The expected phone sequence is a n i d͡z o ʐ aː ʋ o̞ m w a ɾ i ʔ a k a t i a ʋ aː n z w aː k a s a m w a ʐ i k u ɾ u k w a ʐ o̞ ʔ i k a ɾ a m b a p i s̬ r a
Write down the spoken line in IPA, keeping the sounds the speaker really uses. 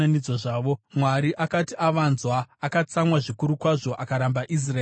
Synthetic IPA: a n i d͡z o ʐ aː ʋ o̞ m w a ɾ i ʔ a k a t i a ʋ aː n z w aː k a t͡s a m w a ʐ i k u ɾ u k w a ʐ o̞ ʔ a k a ɾ a m b a ʔ i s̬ r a